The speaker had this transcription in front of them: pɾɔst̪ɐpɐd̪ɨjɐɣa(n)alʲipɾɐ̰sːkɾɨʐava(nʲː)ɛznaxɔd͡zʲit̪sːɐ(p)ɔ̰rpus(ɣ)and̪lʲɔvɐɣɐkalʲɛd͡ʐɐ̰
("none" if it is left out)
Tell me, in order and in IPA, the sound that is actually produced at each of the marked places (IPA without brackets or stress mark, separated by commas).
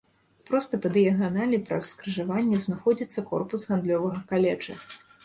n, nʲː, k, ɣ